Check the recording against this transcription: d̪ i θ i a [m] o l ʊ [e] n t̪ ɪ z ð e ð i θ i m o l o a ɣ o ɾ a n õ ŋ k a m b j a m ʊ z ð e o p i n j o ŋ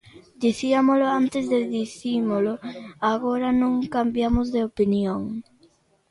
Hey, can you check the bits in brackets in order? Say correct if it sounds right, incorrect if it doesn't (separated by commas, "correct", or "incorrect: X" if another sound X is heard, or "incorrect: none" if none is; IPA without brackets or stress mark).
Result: correct, incorrect: a